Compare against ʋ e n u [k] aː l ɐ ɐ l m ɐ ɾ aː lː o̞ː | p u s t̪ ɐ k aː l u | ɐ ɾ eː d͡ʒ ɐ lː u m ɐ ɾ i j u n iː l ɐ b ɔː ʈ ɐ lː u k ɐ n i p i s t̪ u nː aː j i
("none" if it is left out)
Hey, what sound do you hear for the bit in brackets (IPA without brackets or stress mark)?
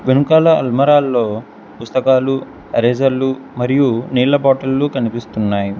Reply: k